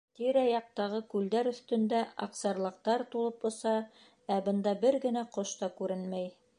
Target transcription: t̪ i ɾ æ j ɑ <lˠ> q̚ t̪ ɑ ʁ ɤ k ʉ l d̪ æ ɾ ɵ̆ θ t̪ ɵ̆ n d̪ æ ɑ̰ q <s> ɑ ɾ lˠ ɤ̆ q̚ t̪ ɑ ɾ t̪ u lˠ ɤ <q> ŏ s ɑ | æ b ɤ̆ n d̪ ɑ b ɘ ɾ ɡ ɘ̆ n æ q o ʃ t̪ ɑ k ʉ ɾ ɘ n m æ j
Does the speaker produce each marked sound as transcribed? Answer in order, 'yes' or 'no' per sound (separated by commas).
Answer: no, yes, no